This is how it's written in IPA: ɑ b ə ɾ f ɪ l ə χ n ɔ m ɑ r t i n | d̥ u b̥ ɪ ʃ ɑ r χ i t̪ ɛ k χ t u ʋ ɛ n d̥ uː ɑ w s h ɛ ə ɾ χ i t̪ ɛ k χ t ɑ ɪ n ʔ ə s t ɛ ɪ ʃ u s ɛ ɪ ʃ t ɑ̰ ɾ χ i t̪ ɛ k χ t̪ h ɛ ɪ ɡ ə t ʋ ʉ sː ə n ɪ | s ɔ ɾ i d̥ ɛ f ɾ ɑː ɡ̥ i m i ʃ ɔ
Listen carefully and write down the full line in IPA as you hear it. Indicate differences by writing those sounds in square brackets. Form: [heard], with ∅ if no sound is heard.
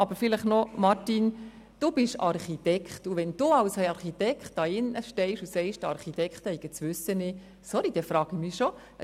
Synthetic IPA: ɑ b ə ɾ f ɪ l ə χ n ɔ m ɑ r t i n | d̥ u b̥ ɪ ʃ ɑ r χ i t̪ ɛ k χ t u ʋ ɛ n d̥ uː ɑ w s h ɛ [ɑ] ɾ χ i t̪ ɛ k χ t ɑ ɪ n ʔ ə [ʃ] t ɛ ɪ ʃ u s ɛ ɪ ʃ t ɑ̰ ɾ χ i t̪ ɛ k χ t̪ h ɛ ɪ ɡ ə [t͡s] ʋ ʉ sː ə n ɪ | s ɔ ɾ i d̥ ɛ f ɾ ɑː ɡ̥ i m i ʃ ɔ

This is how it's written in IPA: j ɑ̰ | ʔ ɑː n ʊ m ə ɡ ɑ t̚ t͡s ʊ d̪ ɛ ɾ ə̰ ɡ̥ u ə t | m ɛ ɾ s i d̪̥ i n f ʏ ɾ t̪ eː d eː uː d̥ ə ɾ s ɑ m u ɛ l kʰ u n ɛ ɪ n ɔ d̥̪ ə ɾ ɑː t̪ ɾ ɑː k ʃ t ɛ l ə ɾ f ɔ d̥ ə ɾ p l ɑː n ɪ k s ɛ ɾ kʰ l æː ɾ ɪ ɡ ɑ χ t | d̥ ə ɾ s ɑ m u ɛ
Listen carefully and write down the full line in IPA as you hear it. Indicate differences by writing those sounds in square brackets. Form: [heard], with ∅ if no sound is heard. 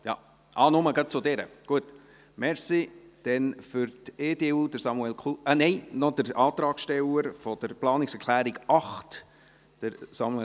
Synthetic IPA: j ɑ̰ | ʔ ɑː n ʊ m ə ɡ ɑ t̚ t͡s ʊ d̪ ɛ ɾ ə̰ ɡ̥ u ə t | m ɛ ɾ s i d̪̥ [ɛ] n f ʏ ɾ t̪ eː d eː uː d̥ ə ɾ s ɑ m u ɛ l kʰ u n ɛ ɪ n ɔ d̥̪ ə ɾ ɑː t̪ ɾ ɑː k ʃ t ɛ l ə ɾ f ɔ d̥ ə ɾ p l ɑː n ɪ k s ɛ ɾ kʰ l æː ɾ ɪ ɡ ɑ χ t | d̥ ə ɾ s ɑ m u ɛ

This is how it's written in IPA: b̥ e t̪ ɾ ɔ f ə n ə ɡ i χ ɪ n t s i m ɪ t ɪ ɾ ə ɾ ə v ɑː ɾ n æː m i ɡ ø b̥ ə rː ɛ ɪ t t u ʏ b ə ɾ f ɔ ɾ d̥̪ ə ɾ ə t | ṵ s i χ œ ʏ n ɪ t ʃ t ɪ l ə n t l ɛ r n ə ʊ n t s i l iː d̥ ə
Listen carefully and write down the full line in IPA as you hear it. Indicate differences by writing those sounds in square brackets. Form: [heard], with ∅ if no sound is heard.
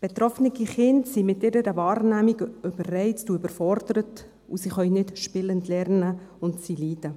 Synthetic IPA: b̥ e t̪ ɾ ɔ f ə n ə ɡ i χ ɪ n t s i m ɪ t ɪ ɾ ə ɾ ə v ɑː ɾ n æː m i ɡ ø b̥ ə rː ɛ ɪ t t u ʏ b ə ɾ f ɔ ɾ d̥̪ ə ɾ ə t | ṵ s i χ œ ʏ n ɪ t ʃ [p] ɪ l ə n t l ɛ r n ə ʊ n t s i l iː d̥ ə

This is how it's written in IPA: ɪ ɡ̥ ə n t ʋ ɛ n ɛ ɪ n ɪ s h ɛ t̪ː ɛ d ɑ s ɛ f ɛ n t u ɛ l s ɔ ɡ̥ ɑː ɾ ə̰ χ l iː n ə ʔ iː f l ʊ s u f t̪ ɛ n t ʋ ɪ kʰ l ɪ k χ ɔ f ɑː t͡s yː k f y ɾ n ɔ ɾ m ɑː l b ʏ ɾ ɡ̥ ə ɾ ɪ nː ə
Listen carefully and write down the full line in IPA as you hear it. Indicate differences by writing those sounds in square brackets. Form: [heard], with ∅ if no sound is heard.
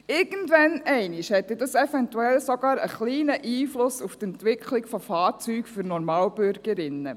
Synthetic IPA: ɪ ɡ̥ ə n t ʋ ɛ n ɛ ɪ n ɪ [ʃ] h ɛ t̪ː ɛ d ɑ s ɛ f ɛ n t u ɛ l s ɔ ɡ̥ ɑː ɾ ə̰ χ l iː n ə ʔ iː f l ʊ s u f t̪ ɛ n t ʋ ɪ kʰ l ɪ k [f] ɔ f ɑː t͡s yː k f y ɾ n ɔ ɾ m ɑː l b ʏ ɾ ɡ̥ ə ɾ ɪ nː ə

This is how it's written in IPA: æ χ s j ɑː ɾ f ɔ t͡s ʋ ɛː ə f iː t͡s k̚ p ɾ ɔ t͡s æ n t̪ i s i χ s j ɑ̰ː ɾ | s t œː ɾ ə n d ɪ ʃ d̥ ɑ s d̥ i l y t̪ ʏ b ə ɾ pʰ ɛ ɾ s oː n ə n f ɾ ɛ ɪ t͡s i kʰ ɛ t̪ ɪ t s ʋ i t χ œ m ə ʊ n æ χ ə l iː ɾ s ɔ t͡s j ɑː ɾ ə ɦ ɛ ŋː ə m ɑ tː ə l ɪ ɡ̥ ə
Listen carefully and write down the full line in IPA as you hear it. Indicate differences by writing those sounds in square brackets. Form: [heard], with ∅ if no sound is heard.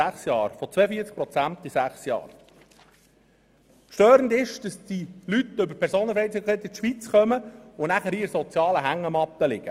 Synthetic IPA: æ χ s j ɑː ɾ f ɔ t͡s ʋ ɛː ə f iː t͡s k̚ p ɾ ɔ t͡s æ n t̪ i s [æ] χ s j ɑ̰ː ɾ | [ʃ] t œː ɾ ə n d ɪ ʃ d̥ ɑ s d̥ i l y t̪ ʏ b ə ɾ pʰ ɛ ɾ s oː n ə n f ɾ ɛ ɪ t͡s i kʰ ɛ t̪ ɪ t [ʃ] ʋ i [t͡s] χ œ m ə ʊ n æ χ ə [ɾ] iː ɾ s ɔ t͡s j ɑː [l] ə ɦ [æ] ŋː ə m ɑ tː ə l ɪ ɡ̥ ə

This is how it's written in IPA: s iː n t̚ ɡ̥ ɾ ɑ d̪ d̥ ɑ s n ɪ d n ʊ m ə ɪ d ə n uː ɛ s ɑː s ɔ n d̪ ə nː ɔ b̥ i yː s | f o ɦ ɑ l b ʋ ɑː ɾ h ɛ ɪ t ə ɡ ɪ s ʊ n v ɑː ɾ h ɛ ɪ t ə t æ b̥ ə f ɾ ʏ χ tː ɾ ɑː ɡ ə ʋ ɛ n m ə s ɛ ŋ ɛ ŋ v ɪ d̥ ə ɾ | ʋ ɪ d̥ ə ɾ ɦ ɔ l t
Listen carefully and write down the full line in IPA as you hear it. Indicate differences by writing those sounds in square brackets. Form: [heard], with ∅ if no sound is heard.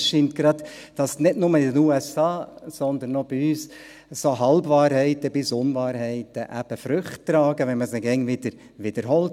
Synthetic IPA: [ʃ] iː n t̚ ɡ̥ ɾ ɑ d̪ d̥ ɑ s n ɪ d n ʊ m ə ɪ d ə n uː ɛ s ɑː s ɔ n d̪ ə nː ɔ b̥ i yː s | [s] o ɦ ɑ l b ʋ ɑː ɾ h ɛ ɪ t ə [b] ɪ s ʊ n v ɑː ɾ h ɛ ɪ t ə [ʔ] æ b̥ ə f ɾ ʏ χ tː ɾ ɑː ɡ ə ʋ ɛ n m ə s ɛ [ɡ] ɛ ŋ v ɪ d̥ ə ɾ | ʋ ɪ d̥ ə ɾ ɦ ɔ l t

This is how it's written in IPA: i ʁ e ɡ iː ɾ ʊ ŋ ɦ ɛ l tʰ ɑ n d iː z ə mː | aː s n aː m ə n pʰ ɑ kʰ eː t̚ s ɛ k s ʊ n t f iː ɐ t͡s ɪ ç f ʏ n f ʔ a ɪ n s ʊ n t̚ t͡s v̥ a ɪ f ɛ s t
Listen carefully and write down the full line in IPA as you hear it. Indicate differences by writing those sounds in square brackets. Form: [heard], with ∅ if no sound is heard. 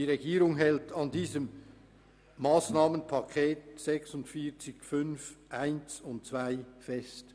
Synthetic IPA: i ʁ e ɡ iː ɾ ʊ ŋ ɦ ɛ l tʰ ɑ n d iː z ə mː | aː s n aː m ə n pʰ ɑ kʰ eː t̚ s ɛ k s ʊ n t f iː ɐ t͡s ɪ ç f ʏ n f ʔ a ɪ n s ʊ n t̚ t͡s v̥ a ɪ f ɛ s t

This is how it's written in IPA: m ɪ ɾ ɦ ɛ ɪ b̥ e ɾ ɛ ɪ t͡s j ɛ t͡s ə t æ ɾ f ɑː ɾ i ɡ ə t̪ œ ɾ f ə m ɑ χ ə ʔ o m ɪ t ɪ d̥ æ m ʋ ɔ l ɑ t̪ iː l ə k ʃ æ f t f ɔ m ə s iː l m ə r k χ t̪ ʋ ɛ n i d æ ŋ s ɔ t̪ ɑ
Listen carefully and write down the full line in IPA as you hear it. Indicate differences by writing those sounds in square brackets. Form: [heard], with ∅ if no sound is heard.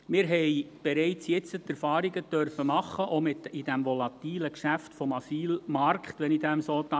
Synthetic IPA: m ɪ ɾ ɦ ɛ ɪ b̥ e ɾ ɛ ɪ t͡s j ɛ t͡s ə t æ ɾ f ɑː ɾ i ɡ ə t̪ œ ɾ f ə m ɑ χ ə ʔ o m ɪ t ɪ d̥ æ m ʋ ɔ l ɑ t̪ iː l ə k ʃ æ f t f ɔ m [ɑ] s iː l m [ɑ] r k χ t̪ ʋ ɛ n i d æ [m] s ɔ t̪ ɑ

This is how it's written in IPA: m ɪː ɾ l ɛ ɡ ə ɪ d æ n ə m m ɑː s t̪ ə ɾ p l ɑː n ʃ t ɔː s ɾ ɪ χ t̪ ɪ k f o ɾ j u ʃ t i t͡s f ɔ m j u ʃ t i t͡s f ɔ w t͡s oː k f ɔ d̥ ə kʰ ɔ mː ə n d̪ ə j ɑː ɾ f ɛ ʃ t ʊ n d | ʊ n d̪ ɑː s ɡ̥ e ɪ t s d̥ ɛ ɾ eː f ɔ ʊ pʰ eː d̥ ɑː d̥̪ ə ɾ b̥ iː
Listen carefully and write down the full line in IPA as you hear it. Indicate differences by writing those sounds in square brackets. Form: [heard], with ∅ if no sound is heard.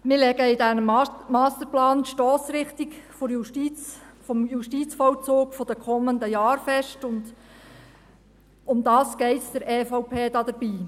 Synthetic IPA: m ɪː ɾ l ɛ ɡ ə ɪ d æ n ə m m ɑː s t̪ ə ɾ p l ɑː n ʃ t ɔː s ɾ ɪ χ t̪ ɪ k f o ɾ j u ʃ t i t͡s f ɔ m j u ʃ t i t͡s f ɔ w t͡s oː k f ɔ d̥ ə kʰ ɔ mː ə n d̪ ə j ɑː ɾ f ɛ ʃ t ʊ n d | ʊ [m] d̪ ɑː s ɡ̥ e ɪ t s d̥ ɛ ɾ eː f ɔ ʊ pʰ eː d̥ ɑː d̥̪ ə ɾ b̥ iː

